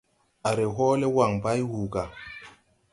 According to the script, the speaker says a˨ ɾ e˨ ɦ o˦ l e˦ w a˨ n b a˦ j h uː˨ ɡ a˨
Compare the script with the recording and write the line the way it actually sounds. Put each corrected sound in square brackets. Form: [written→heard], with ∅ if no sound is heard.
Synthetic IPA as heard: a˨ ɾ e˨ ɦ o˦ l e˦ w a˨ [n→ŋ] b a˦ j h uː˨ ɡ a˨